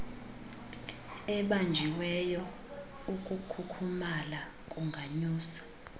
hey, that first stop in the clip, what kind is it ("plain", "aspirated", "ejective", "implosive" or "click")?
implosive